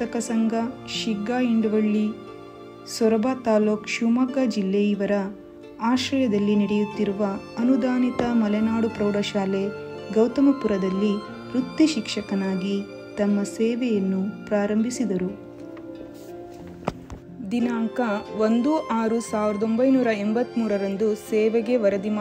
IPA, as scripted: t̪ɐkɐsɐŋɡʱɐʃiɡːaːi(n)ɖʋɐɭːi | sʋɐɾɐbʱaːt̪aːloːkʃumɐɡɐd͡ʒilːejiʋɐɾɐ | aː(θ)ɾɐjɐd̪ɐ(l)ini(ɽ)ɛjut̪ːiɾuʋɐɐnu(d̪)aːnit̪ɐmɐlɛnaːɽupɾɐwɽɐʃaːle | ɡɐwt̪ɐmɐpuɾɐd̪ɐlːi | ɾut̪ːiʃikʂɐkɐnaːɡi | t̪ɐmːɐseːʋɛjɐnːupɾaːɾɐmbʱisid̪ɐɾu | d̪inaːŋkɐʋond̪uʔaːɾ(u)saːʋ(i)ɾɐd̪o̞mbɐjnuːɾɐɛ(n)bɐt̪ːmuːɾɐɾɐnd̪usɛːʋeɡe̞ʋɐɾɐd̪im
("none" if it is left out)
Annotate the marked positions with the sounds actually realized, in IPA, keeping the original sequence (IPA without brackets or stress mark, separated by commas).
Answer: ɳ, ʃ, lː, ɽ, d̪, u, i, m